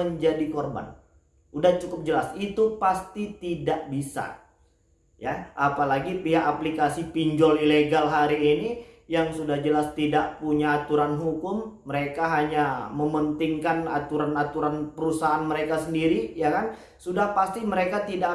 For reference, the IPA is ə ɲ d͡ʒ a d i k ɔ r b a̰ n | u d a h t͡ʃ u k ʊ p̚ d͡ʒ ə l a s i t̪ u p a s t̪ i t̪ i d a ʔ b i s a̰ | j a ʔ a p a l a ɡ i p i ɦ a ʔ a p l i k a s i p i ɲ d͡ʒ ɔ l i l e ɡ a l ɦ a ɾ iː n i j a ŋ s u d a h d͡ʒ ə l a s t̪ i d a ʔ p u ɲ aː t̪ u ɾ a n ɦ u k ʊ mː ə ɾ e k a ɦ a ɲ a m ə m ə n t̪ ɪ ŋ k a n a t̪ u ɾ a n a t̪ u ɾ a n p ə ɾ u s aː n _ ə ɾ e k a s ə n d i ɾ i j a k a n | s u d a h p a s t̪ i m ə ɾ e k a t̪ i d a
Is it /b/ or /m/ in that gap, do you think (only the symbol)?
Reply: m